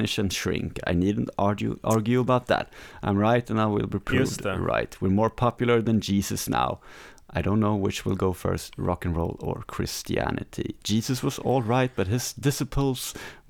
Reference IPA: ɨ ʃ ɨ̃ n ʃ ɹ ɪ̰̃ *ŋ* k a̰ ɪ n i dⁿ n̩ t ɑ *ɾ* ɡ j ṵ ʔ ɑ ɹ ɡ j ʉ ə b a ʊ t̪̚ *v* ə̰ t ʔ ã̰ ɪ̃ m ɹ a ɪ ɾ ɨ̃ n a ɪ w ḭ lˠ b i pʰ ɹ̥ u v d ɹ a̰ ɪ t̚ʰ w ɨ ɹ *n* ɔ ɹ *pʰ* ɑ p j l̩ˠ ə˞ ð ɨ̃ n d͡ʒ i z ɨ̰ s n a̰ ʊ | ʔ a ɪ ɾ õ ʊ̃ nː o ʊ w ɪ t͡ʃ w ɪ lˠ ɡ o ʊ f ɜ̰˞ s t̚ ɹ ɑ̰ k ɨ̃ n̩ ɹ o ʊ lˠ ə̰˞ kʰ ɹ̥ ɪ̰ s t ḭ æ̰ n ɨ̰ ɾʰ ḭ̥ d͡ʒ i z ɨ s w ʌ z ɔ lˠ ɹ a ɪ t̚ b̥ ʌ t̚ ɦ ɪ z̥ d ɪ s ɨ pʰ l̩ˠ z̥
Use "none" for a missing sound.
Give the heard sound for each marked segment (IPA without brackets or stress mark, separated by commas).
ŋ, ɹ, ð, m, pʰ